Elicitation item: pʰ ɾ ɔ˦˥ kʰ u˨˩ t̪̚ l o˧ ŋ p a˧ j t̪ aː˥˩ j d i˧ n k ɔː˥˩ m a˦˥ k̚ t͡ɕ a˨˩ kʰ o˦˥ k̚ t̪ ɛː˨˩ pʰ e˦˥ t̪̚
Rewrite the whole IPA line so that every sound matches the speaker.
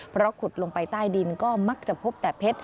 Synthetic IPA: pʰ ɾ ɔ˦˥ kʰ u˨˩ t̪̚ l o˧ ŋ p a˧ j t̪ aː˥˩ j d i˧ n k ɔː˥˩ m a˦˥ k̚ t͡ɕ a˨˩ pʰ o˦˥ p̚ t̪ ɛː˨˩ pʰ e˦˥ t̪̚